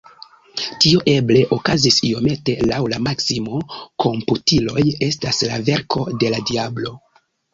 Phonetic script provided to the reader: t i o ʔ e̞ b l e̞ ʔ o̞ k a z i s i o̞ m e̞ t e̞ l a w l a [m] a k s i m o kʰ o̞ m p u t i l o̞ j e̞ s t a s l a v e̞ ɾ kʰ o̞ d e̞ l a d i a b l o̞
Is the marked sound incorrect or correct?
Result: correct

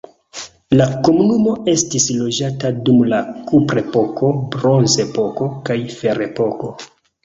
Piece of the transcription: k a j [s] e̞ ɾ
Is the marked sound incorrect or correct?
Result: incorrect: f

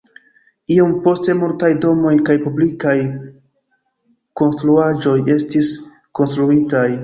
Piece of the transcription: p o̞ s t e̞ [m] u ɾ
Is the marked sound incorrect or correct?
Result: correct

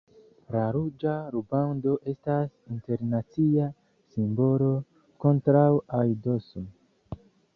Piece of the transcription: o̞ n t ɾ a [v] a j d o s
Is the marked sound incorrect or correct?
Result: incorrect: w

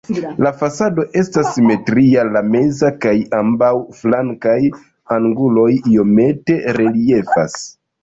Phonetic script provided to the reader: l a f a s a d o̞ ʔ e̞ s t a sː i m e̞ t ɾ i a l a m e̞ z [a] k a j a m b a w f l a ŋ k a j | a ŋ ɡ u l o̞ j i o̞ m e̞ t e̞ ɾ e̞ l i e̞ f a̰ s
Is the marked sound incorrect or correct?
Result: correct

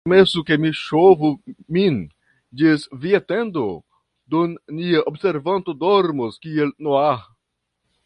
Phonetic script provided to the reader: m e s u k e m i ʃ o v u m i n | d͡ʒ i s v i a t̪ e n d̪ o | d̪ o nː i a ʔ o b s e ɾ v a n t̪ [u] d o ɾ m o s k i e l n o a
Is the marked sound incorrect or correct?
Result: incorrect: o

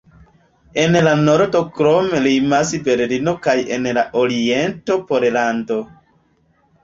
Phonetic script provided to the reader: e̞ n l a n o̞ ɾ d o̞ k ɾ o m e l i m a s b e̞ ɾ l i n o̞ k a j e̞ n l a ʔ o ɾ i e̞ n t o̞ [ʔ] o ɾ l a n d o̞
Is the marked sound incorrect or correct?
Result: incorrect: p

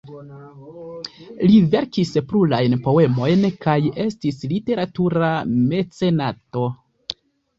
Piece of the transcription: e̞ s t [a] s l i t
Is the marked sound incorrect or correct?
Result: incorrect: i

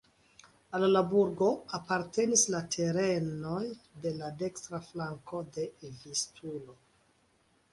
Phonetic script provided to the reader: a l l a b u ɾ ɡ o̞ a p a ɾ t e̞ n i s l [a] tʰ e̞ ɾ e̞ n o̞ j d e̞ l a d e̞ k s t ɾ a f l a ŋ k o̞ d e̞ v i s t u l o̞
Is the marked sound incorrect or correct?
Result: correct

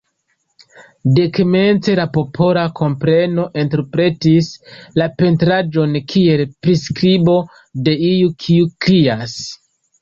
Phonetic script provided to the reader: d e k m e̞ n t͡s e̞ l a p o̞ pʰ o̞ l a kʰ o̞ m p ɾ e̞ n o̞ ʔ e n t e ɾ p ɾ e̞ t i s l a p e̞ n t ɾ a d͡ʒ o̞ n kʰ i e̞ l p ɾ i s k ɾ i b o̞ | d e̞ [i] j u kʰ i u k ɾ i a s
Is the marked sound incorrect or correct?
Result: correct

